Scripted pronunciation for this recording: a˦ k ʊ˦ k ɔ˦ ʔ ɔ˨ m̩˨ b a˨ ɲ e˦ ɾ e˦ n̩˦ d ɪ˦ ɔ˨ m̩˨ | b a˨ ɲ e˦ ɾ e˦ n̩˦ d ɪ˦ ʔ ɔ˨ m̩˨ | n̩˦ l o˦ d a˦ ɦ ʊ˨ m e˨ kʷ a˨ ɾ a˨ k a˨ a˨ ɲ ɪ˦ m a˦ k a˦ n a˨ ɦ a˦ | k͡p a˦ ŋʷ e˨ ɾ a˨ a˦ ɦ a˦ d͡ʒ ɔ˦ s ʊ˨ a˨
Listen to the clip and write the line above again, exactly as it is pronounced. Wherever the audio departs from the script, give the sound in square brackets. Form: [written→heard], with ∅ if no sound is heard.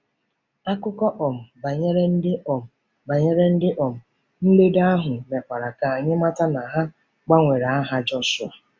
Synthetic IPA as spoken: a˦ k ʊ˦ k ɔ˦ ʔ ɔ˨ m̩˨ b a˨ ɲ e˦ ɾ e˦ n̩˦ d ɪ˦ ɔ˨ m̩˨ | b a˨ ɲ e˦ ɾ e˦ n̩˦ d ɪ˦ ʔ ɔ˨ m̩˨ | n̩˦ l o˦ d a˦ ɦ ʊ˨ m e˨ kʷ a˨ ɾ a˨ k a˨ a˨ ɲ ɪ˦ m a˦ [k→t] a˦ n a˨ ɦ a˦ | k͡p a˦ ŋʷ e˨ ɾ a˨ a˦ ɦ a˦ d͡ʒ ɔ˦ s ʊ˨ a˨